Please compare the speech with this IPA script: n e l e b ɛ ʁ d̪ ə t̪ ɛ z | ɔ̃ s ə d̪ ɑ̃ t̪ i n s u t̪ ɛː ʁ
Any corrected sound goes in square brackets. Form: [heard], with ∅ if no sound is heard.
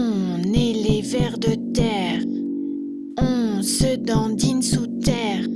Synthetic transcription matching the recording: n e l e [v] ɛ ʁ d̪ ə t̪ ɛ [ʁ] | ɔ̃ s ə d̪ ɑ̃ [d̪] i n s u t̪ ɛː ʁ

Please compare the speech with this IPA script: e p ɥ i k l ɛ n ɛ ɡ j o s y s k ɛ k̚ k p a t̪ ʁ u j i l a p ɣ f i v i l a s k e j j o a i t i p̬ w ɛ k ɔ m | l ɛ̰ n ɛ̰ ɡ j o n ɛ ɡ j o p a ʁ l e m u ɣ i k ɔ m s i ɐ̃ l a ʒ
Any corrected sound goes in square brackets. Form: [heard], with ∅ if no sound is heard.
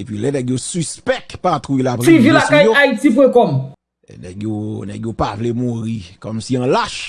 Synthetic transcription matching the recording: e p ɥ i [∅] l ɛ n ɛ ɡ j o s y s [p] ɛ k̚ [t] p a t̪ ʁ u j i l a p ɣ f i v i l a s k [a] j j o a i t i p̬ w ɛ k ɔ m | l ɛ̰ n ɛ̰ ɡ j o n ɛ ɡ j o p a [v] l e m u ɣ i k ɔ m s i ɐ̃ l a [ʃ]

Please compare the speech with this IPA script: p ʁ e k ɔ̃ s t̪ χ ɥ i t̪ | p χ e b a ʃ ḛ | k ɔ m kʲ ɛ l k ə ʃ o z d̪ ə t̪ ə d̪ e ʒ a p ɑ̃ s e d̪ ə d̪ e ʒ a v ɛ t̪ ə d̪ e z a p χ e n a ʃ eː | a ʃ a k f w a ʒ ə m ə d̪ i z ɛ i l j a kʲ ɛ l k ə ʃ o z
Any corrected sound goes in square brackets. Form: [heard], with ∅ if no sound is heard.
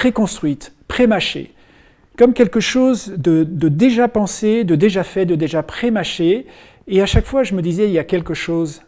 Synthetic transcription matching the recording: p [χ] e k ɔ̃ s t̪ χ ɥ i t̪ | p χ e [m] a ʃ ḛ | k ɔ m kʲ ɛ l k ə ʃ o z d̪ ə [d̪] ə d̪ e ʒ a p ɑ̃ s e d̪ ə d̪ e ʒ a [f] ɛ [d̪] ə d̪ e [ʒ] a p χ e [m] a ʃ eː | a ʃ a k f w a ʒ ə m ə d̪ i z ɛ i l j a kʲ ɛ l k ə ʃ o z

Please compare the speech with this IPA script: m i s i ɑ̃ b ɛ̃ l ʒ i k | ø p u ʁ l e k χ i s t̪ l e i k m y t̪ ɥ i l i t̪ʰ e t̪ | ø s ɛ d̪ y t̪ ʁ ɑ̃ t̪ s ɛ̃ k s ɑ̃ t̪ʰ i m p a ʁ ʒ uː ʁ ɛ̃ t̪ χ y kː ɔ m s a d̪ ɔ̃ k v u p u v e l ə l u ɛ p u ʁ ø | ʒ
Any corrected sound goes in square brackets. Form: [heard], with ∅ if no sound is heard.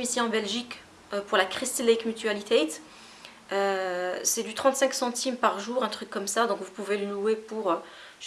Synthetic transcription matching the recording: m i s i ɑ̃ b [ɛ] l ʒ i k | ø p u ʁ l [a] k χ i s t̪ l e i k m y t̪ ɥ [a] l i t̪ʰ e t̪ | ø s ɛ d̪ y t̪ [χ] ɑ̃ t̪ s ɛ̃ k s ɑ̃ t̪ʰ i m p a ʁ ʒ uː ʁ ɛ̃ t̪ χ y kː ɔ m s a d̪ ɔ̃ k v u p u v e l ə l u [e] p u ʁ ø | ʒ

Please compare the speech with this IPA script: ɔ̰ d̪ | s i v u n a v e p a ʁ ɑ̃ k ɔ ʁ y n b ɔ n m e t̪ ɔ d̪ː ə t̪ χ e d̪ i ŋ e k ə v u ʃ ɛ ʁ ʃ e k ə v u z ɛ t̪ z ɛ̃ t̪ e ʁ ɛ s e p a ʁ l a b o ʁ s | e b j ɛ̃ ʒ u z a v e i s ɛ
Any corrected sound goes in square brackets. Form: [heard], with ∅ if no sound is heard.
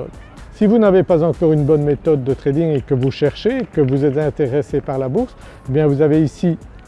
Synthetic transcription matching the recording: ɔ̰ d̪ | s i v u n a v e p a [z] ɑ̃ k ɔ ʁ y n b ɔ n m e t̪ ɔ d̪ː ə t̪ χ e d̪ i ŋ e k ə v u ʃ ɛ ʁ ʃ e k ə v u z ɛ t̪ z ɛ̃ t̪ e ʁ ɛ s e p a ʁ l a b [u] ʁ s | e b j ɛ̃ [v] u z a v e i s [i]

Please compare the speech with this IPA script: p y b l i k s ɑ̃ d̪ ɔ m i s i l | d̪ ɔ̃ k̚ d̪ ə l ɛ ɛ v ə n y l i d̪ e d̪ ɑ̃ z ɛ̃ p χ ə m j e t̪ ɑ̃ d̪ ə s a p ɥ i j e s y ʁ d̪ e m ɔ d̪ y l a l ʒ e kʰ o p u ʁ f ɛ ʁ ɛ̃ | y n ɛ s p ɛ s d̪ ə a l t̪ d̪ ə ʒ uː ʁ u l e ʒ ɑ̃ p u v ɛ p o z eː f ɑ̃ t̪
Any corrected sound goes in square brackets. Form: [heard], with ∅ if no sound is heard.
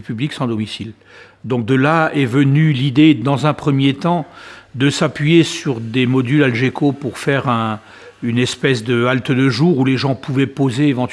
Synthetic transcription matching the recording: p y b l i k s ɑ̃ d̪ ɔ m i s i l | d̪ ɔ̃ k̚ d̪ ə l [a] ɛ v ə n y l i d̪ e d̪ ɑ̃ z ɛ̃ p χ ə m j e t̪ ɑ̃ d̪ ə s a p ɥ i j e s y ʁ d̪ e m ɔ d̪ y l a l ʒ e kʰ o p u ʁ f ɛ ʁ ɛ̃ | y n ɛ s p ɛ s d̪ ə a l t̪ d̪ ə ʒ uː ʁ u l e ʒ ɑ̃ p u v ɛ p o z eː [v] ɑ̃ t̪

